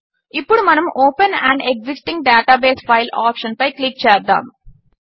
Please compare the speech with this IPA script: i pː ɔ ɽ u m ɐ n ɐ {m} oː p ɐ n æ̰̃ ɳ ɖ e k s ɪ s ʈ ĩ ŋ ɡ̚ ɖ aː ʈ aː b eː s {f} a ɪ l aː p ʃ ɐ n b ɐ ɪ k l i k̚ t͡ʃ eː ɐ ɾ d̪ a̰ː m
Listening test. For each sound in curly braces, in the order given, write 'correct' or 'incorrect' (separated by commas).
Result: correct, correct